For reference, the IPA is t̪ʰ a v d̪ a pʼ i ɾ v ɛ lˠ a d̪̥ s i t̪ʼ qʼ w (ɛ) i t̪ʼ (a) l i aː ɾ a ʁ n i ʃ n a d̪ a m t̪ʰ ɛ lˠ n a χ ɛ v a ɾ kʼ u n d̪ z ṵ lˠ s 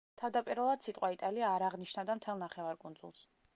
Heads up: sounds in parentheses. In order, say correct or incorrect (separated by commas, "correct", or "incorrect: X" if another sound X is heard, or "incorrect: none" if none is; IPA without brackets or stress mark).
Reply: incorrect: a, correct